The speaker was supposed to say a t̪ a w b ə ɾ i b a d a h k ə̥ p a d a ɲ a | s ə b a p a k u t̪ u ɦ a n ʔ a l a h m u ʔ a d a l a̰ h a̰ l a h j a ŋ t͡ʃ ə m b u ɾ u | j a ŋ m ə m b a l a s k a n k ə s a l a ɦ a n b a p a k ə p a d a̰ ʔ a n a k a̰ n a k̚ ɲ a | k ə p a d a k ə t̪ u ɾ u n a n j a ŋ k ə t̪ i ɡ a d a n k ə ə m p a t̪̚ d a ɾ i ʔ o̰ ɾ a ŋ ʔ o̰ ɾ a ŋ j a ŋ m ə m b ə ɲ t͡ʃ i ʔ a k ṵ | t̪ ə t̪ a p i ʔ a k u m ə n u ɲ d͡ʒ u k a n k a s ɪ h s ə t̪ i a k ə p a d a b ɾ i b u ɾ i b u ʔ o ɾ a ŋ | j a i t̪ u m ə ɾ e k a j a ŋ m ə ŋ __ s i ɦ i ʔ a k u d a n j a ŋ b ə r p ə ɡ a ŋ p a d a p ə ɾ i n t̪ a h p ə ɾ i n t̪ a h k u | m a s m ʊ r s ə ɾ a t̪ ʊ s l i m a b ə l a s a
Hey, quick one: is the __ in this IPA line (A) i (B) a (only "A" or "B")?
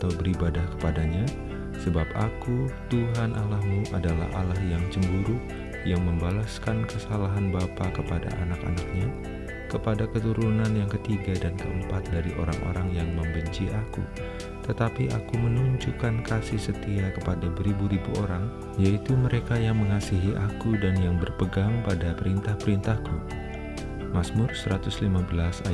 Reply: B